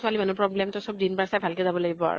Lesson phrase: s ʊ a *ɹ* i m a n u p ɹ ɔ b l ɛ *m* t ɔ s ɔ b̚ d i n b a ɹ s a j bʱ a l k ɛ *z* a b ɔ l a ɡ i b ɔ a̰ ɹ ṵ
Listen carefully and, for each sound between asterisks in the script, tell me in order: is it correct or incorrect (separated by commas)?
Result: incorrect, correct, correct